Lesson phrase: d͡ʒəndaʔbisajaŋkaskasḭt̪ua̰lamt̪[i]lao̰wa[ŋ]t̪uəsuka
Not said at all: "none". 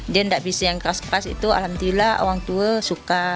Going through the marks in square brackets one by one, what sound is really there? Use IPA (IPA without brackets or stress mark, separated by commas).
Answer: i, ŋ